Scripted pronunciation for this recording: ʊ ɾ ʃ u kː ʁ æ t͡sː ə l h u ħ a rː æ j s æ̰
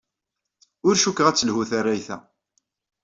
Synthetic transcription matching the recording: ʊ ɾ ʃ u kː ʁ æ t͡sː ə l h u θ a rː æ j θ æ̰